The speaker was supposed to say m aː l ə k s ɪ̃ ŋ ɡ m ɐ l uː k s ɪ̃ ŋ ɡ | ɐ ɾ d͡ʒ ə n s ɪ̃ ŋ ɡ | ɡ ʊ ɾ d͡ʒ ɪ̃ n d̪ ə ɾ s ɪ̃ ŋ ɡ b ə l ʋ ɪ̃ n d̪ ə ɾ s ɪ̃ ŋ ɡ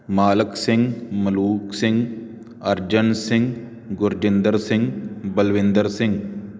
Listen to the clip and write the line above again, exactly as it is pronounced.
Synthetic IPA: m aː l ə k s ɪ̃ ŋ ɡ m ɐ l uː k s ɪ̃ ŋ ɡ | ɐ ɾ d͡ʒ ə n s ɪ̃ ŋ ɡ | ɡ ʊ ɾ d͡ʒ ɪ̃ n d̪ ə ɾ s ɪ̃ ŋ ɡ b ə l ʋ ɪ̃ n d̪ ə ɾ s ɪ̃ ŋ ɡ